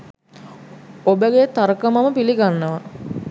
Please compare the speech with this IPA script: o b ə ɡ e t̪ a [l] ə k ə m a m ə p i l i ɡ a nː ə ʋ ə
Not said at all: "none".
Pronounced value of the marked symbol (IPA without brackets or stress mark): ɾ